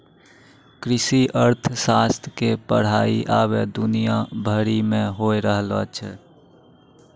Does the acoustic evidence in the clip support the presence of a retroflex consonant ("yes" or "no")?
yes